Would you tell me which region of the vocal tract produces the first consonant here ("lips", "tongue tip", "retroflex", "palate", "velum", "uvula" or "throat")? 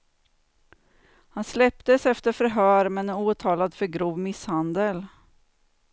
throat